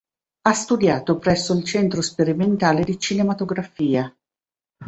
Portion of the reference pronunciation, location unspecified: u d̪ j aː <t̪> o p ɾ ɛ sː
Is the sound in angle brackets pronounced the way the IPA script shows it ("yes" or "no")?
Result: yes